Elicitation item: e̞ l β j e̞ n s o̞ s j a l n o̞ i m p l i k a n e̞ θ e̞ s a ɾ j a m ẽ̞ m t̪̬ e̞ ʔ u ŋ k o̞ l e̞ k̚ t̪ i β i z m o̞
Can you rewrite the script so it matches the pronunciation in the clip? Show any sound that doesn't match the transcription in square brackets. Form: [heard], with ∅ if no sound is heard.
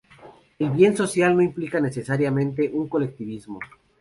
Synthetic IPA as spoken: e̞ l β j e̞ n s o̞ s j a l n o̞ i m p l i k a n e̞ [s] e̞ s a ɾ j a m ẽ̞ [n] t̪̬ e̞ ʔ u ŋ k o̞ l e̞ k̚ t̪ i β i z m o̞